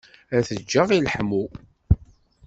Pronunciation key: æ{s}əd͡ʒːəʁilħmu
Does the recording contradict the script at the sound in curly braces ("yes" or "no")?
yes